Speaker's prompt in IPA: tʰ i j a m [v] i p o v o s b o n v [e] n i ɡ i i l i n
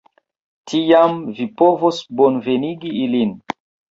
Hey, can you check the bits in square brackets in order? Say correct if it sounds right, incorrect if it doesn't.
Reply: correct, correct

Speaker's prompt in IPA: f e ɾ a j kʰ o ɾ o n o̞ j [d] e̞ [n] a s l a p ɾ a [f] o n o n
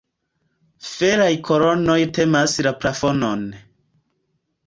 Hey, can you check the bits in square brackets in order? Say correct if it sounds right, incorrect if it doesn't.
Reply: incorrect: t, incorrect: m, correct

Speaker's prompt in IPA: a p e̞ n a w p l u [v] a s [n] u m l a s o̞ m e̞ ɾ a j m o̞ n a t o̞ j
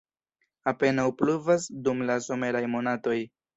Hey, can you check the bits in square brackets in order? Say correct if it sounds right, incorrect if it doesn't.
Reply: correct, incorrect: d

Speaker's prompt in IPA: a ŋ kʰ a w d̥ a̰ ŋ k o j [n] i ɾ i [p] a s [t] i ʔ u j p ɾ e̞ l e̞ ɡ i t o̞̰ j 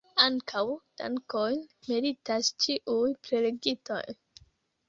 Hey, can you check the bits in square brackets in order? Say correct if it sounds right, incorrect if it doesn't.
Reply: incorrect: m, incorrect: t, incorrect: t͡ʃ

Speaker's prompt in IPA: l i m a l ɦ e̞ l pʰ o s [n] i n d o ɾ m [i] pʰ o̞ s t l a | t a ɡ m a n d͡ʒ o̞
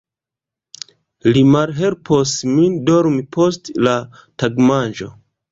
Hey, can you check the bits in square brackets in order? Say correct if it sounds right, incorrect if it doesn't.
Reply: incorrect: m, correct

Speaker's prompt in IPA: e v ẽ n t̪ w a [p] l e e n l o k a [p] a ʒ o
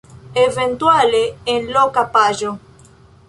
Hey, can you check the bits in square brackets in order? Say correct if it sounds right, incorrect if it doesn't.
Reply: incorrect: none, correct

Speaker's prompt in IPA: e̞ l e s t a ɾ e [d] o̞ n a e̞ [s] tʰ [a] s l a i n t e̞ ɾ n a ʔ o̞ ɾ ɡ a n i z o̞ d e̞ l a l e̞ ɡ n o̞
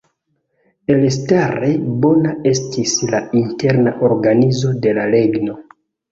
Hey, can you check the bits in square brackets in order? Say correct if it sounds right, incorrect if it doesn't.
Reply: incorrect: b, correct, incorrect: i

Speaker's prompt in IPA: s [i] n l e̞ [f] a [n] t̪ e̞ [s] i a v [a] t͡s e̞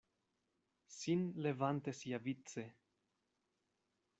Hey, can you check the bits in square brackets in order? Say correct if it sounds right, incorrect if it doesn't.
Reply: correct, incorrect: v, correct, correct, incorrect: i

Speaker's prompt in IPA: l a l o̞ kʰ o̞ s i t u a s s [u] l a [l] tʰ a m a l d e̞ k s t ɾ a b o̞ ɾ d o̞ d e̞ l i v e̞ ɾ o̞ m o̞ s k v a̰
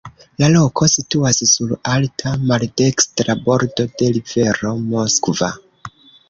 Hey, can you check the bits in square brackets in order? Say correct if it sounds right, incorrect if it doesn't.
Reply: correct, correct

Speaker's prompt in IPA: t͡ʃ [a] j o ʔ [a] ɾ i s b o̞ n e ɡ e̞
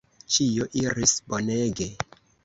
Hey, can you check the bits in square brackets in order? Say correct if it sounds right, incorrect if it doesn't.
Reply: incorrect: i, incorrect: i

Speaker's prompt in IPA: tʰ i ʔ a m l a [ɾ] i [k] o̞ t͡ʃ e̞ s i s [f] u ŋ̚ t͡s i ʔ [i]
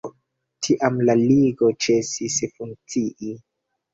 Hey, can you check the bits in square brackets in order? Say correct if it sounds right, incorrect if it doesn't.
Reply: incorrect: l, incorrect: ɡ, correct, correct

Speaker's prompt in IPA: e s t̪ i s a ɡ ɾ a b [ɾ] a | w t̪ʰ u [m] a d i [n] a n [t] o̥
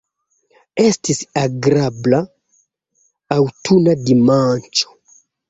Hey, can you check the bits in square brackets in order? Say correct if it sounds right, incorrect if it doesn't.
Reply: incorrect: l, incorrect: n, incorrect: m, incorrect: t͡ʃ

